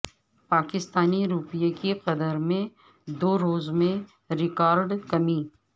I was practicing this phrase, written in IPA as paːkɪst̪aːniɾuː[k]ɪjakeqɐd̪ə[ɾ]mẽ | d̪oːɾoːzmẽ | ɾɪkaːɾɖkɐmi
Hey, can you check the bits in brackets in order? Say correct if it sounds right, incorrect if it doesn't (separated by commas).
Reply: incorrect, correct